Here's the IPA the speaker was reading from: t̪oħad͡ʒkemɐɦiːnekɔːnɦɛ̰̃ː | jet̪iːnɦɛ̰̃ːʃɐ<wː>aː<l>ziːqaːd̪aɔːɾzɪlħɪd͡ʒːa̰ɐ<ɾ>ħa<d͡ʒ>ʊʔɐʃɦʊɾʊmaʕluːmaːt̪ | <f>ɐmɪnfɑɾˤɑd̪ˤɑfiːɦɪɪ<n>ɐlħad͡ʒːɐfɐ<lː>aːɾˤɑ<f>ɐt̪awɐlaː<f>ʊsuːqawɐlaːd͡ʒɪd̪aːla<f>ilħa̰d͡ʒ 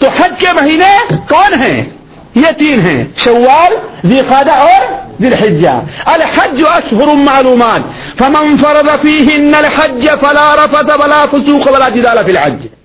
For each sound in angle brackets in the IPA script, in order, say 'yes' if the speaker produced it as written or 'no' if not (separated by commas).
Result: yes, yes, no, no, yes, no, no, yes, yes, yes